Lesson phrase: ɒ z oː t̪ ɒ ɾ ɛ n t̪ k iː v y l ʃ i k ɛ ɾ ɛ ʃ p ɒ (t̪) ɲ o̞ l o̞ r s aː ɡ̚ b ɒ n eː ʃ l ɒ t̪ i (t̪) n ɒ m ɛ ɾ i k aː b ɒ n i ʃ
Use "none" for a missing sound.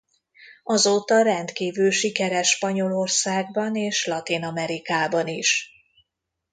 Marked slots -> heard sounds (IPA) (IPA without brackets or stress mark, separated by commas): none, none